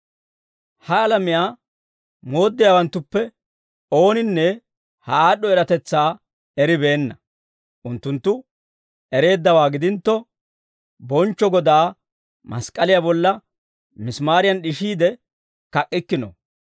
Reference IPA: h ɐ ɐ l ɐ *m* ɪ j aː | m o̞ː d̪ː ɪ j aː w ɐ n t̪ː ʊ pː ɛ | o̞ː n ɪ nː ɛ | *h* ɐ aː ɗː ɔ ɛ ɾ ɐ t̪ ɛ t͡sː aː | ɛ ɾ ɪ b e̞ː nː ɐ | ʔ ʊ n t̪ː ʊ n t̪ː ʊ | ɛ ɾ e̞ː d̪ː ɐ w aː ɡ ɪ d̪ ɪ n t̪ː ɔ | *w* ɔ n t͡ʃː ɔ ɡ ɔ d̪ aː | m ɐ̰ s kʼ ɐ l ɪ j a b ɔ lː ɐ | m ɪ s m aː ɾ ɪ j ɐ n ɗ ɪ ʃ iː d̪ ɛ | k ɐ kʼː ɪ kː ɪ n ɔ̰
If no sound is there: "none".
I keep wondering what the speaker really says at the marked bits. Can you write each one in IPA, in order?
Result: m, h, b

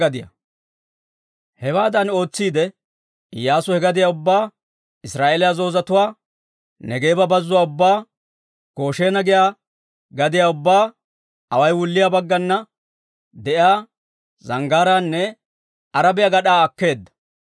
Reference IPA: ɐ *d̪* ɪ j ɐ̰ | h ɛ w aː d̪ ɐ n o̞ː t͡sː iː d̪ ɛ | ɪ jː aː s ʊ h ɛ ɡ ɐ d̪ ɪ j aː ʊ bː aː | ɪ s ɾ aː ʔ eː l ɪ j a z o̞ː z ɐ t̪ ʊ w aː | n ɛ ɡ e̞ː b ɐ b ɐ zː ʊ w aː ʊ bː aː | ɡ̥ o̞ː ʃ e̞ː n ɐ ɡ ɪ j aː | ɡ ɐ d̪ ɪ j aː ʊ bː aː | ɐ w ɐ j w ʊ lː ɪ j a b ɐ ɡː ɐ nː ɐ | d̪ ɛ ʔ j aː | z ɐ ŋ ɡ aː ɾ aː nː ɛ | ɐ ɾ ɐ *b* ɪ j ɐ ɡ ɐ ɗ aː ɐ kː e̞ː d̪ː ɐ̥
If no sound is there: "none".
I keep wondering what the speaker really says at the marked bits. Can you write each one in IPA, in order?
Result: d̪, b

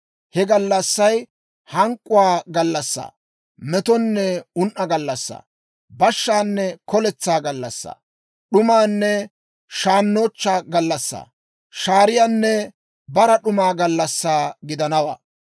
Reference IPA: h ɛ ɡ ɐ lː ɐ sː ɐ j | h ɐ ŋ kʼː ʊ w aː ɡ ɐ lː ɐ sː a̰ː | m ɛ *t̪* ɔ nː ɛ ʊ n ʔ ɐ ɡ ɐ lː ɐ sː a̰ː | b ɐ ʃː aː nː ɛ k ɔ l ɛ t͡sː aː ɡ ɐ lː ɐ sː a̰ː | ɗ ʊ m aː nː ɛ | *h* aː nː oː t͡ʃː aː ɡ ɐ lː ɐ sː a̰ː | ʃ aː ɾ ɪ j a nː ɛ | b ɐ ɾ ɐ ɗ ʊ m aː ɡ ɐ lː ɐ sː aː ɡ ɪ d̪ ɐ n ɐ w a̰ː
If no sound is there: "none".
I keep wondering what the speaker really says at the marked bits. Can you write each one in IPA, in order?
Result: t̪, ʃ

